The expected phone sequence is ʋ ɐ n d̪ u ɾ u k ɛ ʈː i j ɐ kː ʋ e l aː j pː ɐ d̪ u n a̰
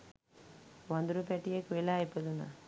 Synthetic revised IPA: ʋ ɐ n d̪ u ɾ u p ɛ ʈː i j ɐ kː ʋ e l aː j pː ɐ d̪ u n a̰